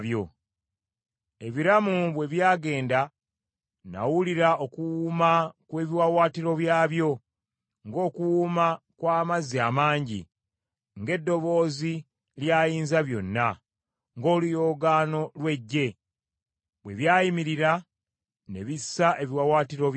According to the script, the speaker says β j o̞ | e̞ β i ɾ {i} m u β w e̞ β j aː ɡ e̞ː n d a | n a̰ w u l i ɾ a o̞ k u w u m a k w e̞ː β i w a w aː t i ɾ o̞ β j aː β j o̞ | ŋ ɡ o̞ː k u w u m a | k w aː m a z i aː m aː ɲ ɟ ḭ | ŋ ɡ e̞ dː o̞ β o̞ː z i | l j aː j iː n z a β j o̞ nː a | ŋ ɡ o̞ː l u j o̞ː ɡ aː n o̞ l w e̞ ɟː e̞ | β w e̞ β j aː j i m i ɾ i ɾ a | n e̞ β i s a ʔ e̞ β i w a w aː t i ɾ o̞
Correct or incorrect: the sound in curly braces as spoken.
incorrect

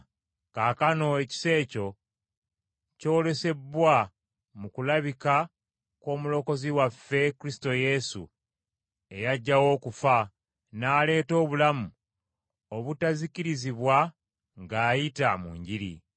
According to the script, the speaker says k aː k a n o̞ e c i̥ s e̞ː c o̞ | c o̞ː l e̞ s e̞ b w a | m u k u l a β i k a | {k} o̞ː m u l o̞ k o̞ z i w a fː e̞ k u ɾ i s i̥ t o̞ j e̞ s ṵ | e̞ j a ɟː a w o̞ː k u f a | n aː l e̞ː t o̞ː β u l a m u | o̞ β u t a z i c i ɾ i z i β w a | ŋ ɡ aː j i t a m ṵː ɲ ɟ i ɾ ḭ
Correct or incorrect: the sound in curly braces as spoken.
correct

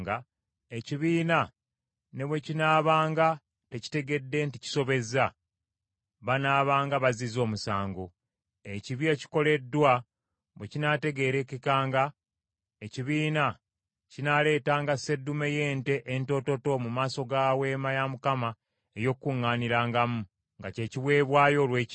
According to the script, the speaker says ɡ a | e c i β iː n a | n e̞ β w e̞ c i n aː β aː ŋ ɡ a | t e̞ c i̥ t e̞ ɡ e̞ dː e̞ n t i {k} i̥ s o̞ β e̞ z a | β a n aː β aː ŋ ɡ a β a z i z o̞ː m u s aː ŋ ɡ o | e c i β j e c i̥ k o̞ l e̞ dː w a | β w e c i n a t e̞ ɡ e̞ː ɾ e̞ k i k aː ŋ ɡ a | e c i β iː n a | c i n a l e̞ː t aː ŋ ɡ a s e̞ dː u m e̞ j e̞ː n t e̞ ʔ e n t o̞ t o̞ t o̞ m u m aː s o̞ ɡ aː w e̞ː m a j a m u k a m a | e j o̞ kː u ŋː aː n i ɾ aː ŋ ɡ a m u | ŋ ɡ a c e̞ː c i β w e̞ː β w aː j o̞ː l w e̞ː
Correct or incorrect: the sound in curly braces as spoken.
incorrect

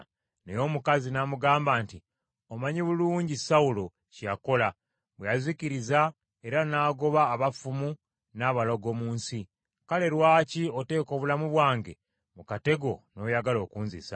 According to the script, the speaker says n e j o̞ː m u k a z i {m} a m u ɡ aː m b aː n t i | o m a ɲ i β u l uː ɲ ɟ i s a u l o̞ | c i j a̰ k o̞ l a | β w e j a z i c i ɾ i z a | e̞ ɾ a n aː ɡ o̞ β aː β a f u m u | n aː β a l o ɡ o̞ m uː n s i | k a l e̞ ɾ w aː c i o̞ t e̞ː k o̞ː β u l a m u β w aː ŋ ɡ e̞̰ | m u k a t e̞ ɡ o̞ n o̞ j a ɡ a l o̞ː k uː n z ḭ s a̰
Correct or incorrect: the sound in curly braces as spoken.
incorrect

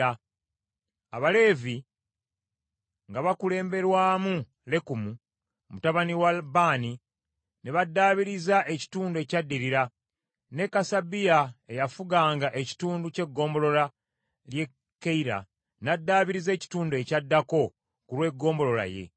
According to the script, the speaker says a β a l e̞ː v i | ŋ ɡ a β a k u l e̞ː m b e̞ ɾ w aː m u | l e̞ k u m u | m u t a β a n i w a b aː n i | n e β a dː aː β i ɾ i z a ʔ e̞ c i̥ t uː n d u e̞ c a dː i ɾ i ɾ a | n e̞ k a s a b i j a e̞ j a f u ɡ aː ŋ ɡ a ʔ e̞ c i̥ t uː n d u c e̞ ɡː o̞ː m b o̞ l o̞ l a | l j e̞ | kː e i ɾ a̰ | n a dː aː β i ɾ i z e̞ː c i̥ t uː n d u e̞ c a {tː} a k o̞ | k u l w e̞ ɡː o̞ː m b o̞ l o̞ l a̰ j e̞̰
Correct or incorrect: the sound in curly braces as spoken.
incorrect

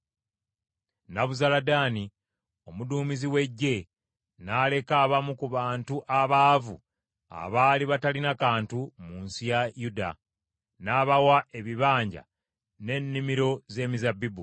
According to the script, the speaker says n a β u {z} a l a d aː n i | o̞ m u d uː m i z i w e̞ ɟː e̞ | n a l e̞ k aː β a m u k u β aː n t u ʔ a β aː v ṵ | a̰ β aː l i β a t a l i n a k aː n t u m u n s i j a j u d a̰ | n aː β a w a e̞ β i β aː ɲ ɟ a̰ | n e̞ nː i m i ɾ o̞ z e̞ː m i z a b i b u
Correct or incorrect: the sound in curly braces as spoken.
correct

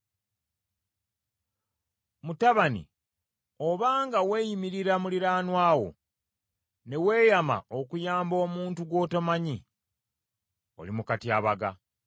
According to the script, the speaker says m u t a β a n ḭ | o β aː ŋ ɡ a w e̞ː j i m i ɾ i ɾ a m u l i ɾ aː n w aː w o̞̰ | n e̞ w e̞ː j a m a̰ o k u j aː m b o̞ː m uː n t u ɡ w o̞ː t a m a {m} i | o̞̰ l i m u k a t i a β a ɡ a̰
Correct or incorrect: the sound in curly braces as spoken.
incorrect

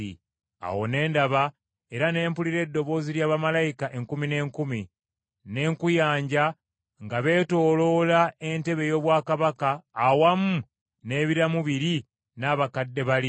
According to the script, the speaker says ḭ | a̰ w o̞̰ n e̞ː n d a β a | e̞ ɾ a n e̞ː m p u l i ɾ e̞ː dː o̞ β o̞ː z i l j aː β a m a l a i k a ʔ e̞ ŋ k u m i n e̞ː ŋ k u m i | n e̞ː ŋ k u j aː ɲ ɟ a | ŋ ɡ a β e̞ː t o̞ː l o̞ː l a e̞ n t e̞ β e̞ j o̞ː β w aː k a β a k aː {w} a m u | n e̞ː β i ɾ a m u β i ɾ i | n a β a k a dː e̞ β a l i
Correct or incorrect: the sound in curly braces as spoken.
correct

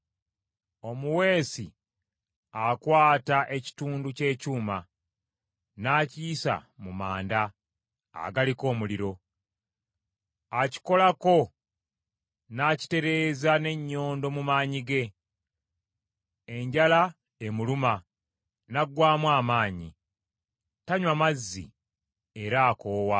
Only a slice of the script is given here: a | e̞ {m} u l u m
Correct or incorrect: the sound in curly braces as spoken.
correct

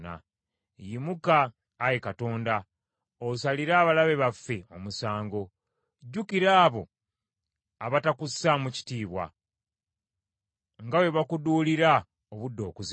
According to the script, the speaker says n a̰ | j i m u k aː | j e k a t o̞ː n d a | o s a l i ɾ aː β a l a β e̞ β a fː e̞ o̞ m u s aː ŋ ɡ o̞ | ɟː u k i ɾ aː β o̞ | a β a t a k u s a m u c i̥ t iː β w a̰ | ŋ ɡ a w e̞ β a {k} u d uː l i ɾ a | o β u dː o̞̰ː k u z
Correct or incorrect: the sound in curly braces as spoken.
correct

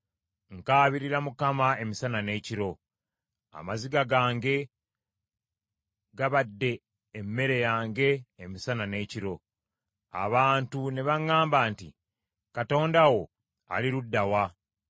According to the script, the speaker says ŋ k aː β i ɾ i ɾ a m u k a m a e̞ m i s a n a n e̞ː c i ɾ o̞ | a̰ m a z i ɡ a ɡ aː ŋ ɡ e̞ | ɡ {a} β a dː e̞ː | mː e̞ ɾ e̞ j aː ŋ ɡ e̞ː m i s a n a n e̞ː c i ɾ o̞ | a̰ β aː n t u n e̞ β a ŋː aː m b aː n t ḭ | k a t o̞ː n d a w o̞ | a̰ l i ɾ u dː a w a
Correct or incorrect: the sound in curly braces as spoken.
correct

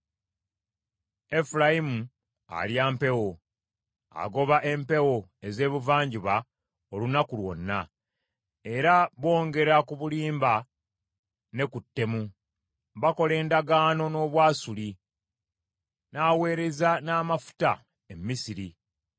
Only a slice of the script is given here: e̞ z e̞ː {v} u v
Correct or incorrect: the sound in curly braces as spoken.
incorrect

